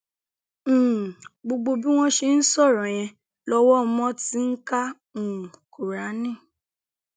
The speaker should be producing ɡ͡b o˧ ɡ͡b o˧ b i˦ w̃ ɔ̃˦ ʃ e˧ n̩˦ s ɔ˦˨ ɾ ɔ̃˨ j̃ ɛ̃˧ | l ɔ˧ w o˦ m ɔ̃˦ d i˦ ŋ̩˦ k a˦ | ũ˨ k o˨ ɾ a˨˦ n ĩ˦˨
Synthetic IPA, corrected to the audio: ɡ͡b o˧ ɡ͡b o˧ b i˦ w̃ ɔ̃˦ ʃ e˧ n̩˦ s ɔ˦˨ ɾ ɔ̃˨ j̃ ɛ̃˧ | l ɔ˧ w ɔ˦ m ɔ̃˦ t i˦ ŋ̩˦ k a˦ | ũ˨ k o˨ ɾ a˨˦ n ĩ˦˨

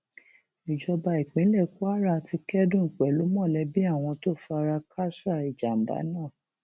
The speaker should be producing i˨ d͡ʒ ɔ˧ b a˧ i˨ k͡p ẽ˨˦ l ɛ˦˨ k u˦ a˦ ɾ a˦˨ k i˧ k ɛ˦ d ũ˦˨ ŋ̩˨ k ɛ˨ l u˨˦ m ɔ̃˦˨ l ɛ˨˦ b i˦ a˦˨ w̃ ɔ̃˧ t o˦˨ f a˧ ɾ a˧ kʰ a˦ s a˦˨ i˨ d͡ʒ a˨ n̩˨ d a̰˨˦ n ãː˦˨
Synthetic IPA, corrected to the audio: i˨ d͡ʒ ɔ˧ b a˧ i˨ k͡p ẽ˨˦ l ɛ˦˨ k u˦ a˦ ɾ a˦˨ t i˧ k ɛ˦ d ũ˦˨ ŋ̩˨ k͡p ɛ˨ l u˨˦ m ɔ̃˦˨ l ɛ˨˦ b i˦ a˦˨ w̃ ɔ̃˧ t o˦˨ f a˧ ɾ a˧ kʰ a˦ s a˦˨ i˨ d͡ʒ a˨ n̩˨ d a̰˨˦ n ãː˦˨

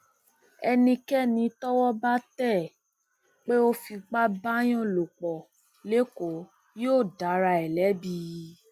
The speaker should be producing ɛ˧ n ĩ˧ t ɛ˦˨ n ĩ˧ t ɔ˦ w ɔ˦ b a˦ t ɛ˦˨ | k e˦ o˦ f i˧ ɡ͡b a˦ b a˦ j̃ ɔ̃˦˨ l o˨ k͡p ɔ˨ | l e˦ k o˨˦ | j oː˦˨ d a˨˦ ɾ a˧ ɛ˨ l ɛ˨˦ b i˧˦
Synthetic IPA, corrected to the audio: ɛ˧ n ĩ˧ k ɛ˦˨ n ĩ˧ t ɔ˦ w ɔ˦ b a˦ t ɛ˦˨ | k͡p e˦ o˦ f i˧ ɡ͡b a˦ b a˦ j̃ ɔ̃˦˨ l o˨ k͡p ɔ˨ | l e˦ k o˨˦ | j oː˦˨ d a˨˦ ɾ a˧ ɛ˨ l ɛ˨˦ b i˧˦

